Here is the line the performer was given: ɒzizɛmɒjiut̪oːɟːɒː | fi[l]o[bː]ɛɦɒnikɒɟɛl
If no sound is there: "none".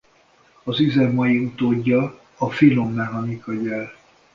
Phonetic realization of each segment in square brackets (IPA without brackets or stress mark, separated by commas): l, mː